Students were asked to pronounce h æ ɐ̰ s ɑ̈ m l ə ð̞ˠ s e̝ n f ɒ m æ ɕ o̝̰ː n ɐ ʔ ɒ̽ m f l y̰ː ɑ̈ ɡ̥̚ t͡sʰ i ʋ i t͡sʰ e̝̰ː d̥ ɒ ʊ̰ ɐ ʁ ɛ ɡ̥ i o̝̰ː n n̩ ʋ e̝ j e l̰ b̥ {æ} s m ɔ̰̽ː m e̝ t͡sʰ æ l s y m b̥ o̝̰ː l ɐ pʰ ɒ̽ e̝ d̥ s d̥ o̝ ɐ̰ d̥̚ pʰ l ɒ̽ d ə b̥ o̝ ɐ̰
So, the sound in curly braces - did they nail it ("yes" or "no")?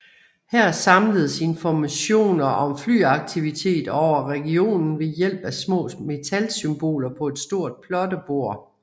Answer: yes